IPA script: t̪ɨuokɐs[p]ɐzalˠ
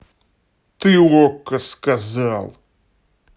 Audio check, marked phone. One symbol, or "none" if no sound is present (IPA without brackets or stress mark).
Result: k